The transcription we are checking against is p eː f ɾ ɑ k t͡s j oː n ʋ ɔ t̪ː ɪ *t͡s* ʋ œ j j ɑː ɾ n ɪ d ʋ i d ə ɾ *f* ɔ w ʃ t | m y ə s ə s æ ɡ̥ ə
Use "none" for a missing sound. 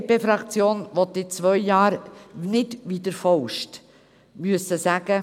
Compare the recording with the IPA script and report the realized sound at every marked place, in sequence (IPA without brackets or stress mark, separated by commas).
t͡s, f